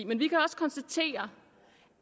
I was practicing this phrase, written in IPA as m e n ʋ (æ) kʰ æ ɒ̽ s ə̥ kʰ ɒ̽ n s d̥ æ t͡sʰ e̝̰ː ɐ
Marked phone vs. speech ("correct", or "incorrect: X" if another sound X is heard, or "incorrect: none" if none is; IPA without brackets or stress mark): incorrect: i